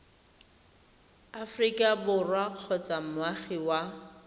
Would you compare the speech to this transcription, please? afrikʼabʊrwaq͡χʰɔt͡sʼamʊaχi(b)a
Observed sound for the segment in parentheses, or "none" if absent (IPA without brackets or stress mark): w